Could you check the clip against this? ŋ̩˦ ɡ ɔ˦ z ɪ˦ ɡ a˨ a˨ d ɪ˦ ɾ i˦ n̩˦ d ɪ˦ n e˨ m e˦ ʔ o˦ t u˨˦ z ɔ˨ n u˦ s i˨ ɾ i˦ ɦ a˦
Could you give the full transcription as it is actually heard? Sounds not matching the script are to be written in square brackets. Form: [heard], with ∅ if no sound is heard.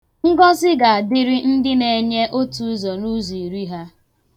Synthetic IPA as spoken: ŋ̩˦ ɡ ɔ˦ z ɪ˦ ɡ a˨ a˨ d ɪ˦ ɾ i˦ n̩˦ d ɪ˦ n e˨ [ɲ] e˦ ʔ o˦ t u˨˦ z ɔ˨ n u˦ [z] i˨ ɾ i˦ ɦ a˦